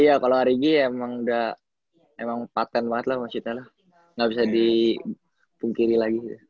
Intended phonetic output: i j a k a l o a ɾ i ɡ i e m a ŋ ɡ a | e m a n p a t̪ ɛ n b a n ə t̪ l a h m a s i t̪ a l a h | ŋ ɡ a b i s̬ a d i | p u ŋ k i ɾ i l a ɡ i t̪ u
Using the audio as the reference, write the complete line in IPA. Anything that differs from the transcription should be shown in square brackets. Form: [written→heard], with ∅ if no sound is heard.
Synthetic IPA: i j a k a l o a ɾ i ɡ i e m a ŋ [ɡ→d] a | e m a [n→ŋ] p a t̪ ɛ n b a [n→ŋ] ə t̪ l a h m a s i t̪ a l a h | ŋ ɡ a b i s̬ a d i | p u ŋ k i ɾ i l a ɡ i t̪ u